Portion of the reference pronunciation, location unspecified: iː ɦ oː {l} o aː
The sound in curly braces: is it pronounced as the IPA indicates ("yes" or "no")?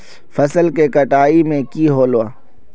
yes